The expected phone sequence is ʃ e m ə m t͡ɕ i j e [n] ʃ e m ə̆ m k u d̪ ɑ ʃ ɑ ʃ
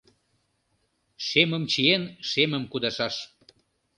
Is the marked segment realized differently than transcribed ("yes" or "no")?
no